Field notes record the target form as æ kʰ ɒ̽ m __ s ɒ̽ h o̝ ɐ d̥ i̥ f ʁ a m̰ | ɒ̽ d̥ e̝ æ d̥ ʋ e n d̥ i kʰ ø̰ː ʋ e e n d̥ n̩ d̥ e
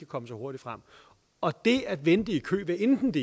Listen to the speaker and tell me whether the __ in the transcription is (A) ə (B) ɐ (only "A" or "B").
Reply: A